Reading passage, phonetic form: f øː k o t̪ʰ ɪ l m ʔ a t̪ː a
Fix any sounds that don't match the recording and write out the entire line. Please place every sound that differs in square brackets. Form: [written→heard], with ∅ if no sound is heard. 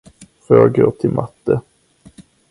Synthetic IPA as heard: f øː [k→ɡ] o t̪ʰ ɪ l m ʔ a t̪ː [a→ə]